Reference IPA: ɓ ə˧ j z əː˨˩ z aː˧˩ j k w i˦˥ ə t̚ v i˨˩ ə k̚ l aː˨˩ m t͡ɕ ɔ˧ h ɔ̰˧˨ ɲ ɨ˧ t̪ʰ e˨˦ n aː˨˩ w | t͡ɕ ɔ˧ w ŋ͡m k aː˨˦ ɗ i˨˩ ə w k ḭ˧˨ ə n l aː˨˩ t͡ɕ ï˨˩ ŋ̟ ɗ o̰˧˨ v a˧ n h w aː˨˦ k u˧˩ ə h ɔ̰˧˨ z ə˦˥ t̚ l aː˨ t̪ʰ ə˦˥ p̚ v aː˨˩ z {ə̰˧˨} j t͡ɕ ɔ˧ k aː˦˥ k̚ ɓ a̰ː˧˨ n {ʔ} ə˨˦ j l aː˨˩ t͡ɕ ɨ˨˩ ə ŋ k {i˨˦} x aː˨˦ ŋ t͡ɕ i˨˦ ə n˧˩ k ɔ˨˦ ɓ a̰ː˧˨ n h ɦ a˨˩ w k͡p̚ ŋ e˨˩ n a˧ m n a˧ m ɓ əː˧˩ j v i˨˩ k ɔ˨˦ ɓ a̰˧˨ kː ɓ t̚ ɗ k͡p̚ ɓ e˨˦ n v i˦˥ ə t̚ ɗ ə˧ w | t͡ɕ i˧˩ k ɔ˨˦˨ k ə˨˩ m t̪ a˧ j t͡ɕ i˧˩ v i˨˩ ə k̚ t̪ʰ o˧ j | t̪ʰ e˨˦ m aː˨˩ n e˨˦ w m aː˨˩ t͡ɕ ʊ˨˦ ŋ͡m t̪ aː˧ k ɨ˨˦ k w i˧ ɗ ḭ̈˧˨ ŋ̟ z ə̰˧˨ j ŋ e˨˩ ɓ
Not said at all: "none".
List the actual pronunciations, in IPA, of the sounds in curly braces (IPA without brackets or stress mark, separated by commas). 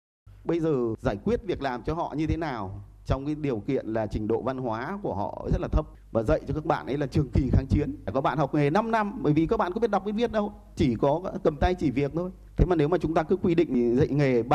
ə̰˧˨, ʔ, i˨˩